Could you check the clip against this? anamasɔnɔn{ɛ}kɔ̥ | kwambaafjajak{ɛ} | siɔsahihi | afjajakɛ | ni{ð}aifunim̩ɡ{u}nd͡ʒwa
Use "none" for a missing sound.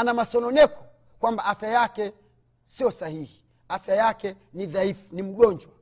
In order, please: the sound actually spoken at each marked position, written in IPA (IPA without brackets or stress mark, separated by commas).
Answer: ɛ, ɛ, ð, ɔ